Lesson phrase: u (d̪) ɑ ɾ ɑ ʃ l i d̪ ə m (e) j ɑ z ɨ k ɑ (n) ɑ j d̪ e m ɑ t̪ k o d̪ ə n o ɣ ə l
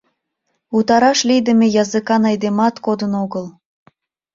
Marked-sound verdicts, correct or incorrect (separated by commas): incorrect, correct, correct